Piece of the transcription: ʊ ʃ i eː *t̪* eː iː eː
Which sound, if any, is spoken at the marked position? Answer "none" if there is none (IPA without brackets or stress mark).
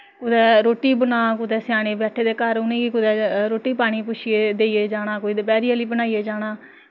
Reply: d̪